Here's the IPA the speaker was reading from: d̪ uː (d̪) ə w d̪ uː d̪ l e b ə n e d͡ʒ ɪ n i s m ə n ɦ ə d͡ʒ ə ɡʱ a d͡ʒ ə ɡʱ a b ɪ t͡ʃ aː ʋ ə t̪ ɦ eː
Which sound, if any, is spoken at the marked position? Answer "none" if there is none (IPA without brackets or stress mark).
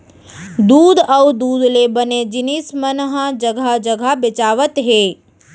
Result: d̪